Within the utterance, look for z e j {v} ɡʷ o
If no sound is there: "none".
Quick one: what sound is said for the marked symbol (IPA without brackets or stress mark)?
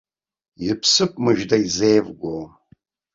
v